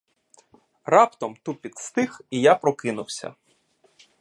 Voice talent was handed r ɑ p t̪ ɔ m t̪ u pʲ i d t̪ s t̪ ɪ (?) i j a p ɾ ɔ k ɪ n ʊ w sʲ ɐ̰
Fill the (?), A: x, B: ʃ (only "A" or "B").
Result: A